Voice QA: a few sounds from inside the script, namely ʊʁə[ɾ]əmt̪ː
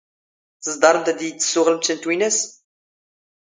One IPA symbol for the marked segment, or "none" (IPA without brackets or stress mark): l